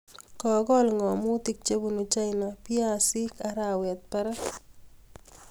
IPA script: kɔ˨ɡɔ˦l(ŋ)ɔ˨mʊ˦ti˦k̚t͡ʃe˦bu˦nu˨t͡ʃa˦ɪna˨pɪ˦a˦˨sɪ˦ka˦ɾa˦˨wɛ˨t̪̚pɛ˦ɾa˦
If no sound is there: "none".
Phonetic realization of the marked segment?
ŋ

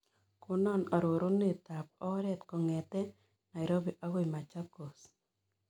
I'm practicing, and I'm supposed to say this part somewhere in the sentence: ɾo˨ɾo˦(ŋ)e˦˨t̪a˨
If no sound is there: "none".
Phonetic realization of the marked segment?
n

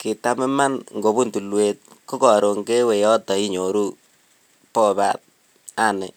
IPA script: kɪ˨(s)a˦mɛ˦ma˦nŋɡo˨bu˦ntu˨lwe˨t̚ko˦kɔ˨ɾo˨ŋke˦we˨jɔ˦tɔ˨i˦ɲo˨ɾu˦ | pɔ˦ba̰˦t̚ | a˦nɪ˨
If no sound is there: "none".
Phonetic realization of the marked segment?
t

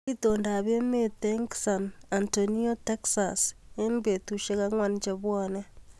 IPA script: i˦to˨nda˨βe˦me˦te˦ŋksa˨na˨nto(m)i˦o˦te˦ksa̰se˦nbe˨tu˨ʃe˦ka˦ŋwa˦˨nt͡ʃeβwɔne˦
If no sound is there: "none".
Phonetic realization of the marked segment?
n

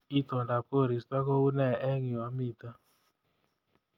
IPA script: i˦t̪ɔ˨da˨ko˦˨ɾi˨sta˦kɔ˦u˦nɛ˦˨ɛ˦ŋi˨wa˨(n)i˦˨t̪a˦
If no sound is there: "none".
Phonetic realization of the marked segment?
m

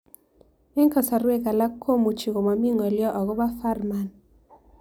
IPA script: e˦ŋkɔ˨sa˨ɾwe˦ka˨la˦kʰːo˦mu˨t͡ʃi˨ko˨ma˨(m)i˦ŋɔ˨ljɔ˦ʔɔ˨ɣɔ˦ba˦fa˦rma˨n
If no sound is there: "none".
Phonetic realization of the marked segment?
m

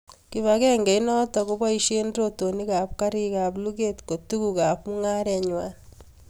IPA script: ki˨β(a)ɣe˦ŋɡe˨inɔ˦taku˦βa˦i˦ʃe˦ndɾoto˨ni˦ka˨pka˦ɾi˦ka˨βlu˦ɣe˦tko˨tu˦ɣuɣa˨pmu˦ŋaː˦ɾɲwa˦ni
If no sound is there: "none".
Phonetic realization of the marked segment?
a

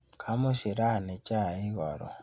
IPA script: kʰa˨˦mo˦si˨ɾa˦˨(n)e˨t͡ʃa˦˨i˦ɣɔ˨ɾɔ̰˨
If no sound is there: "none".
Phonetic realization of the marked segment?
n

